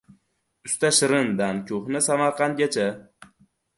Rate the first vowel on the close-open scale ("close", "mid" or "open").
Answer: close